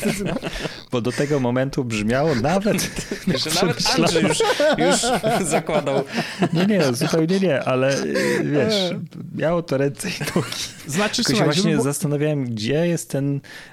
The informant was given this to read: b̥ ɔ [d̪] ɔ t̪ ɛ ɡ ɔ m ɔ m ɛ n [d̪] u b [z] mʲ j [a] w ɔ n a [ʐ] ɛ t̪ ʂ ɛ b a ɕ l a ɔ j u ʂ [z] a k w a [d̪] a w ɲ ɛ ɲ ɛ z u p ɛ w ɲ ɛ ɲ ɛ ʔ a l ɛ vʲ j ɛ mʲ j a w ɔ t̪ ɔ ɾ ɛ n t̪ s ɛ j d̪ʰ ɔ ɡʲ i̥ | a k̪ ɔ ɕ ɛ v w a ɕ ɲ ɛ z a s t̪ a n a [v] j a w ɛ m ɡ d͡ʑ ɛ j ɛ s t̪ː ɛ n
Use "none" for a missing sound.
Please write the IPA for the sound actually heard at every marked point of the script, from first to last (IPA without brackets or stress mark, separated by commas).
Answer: d̪, t̪, ʐ, a, v, z, d̪, v